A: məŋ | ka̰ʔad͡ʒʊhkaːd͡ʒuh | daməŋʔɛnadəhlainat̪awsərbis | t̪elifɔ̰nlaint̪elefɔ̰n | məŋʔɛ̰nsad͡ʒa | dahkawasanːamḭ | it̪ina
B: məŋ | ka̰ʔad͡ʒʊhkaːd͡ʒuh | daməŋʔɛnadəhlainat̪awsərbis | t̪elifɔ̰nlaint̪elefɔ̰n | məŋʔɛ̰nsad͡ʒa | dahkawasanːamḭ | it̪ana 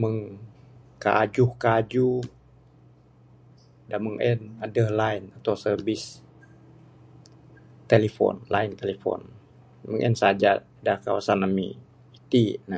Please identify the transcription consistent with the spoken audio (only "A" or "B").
A